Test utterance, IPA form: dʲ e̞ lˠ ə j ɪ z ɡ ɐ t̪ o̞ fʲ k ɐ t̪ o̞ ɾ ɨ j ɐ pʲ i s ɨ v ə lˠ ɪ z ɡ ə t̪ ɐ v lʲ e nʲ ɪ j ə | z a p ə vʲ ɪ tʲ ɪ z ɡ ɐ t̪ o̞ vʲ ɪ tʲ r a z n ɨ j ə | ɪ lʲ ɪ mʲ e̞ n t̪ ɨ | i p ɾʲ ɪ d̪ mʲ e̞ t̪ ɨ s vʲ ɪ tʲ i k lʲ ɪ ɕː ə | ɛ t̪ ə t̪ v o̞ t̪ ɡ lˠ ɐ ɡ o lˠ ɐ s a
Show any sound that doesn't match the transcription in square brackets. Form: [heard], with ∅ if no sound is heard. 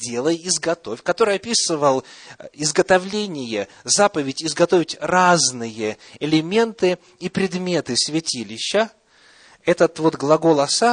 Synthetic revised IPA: dʲ e̞ lˠ ə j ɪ z ɡ ɐ t̪ o̞ fʲ k ɐ t̪ o̞ ɾ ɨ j ɐ pʲ i s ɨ v ə lˠ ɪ z ɡ ə t̪ ɐ v lʲ e nʲ ɪ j ə | z a p ə vʲ ɪ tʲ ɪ z ɡ ɐ t̪ o̞ vʲ ɪ tʲ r a z n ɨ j ə | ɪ lʲ ɪ mʲ e̞ n t̪ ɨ | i p ɾʲ ɪ d̪ mʲ e̞ t̪ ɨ s vʲ ɪ tʲ i [∅] lʲ ɪ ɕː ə | ɛ t̪ ə t̪ v o̞ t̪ ɡ lˠ ɐ ɡ o lˠ ɐ s a